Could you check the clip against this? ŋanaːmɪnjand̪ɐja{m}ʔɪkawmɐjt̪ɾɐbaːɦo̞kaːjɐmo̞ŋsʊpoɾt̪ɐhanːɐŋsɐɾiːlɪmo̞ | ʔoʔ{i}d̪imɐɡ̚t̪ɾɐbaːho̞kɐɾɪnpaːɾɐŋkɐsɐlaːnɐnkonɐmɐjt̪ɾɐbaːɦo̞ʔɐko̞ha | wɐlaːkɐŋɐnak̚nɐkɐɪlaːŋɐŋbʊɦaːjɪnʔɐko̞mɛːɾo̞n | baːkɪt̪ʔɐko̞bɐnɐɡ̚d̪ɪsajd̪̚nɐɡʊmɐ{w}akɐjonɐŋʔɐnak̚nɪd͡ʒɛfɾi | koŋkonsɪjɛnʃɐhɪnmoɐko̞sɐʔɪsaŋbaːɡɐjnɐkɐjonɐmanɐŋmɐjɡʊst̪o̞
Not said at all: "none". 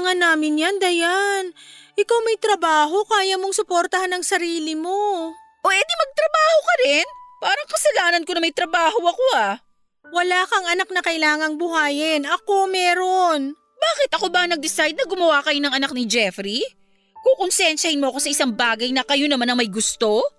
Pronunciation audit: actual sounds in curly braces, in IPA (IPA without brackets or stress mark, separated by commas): n, ɛ, w